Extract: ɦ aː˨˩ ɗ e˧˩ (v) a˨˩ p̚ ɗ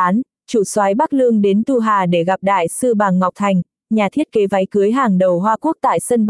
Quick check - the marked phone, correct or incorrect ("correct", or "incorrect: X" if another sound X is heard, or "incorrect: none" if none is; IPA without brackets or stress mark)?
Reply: incorrect: ɣ